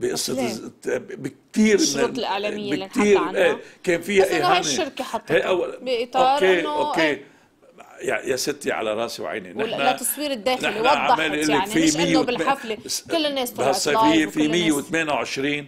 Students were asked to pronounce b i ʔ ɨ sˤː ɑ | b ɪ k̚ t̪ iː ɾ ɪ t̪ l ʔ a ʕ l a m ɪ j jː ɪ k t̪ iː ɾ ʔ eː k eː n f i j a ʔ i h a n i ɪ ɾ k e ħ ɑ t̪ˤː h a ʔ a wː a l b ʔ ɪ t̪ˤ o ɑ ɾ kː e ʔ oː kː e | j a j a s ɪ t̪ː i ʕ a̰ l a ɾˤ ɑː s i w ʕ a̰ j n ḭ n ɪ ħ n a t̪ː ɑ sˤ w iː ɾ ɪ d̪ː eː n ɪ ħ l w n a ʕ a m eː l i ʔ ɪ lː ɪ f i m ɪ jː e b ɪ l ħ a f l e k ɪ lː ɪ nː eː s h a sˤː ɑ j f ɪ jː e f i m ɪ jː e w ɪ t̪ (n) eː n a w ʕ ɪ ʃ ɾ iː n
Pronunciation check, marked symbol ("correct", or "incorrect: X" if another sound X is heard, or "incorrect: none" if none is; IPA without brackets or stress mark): incorrect: m